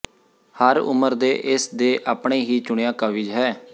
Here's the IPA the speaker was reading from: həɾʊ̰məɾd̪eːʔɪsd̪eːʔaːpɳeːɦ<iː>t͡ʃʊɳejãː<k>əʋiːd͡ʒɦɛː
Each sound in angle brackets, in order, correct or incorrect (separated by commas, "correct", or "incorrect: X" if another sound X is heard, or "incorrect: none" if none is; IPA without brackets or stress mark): correct, correct